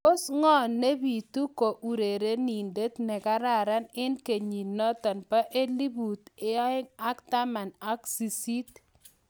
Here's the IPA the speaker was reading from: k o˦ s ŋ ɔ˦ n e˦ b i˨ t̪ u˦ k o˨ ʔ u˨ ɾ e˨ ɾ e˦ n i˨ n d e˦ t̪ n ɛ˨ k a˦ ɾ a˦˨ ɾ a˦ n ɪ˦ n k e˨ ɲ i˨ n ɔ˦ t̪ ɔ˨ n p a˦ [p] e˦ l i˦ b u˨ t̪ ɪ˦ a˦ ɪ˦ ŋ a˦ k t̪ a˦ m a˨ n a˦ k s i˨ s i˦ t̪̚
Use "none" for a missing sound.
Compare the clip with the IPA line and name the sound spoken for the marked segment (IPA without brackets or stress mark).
ʔ